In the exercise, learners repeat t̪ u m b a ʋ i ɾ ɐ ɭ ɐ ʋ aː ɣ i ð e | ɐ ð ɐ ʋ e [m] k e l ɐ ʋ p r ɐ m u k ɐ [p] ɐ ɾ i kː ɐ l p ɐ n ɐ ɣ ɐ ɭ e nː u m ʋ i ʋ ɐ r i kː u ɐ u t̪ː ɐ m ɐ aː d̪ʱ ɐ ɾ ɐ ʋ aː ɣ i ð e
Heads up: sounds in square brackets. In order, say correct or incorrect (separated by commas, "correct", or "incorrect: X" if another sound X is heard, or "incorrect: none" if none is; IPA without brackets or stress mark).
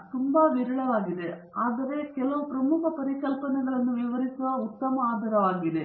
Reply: incorrect: none, correct